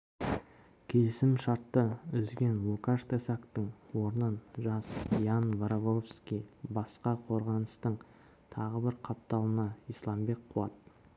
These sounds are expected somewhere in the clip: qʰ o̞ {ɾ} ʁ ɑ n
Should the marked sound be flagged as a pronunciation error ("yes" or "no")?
no